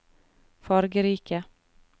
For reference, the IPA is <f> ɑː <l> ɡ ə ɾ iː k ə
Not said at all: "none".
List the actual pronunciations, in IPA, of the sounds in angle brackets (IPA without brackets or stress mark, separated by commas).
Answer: f, ɾ